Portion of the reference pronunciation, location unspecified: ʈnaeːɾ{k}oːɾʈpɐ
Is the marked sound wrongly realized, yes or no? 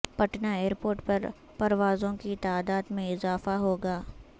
yes